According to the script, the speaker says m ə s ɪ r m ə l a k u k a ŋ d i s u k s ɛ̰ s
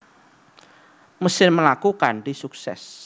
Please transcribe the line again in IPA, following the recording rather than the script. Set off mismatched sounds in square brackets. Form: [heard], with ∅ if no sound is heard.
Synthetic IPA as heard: m ə s ɪ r m ə l a k u k a [n] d i s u k s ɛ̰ s